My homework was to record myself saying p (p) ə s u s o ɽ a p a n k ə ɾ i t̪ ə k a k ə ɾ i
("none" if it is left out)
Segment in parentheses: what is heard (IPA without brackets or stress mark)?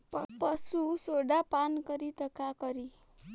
p